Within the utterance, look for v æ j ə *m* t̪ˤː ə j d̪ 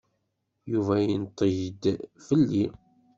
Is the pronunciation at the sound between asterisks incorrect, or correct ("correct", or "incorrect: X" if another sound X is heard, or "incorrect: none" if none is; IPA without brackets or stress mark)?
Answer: incorrect: n